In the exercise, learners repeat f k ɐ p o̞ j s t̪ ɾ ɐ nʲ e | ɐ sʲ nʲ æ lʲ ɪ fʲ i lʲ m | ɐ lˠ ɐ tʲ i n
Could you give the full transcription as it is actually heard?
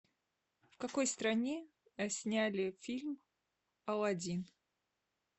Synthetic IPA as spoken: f k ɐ k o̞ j s t̪ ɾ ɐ nʲ e | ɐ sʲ nʲ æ lʲ ɪ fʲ i lʲ m | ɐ lˠ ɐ dʲ i n